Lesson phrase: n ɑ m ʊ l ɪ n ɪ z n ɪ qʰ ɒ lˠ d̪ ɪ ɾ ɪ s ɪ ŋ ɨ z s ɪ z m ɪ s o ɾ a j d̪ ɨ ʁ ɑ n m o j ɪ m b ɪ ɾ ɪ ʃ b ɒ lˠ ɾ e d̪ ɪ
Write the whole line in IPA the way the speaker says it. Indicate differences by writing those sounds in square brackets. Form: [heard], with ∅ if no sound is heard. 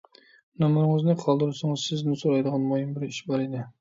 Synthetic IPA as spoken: n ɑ m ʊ [ɾ] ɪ [ŋ] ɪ z n ɪ qʰ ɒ lˠ d̪ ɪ ɾ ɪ s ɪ ŋ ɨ z s ɪ z [n] ɪ s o ɾ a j d̪ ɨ ʁ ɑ n m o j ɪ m b ɪ ɾ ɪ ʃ b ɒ [∅] ɾ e d̪ ɪ